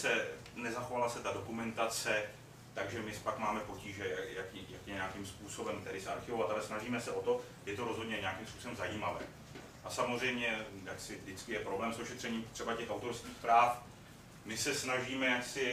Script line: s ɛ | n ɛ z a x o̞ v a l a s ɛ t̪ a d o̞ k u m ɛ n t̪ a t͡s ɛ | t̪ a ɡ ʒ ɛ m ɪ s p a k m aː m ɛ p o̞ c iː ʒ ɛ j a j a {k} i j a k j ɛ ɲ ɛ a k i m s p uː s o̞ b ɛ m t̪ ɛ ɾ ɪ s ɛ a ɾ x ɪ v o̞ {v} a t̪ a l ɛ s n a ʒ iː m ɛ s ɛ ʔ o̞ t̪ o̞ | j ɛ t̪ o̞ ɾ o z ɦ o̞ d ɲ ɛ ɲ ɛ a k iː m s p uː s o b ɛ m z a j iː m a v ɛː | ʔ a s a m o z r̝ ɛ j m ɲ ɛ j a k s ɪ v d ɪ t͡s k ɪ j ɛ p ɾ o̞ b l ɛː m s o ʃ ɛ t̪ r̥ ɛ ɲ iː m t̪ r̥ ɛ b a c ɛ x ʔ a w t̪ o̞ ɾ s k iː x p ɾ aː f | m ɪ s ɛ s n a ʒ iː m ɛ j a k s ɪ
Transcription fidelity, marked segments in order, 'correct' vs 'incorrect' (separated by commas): correct, correct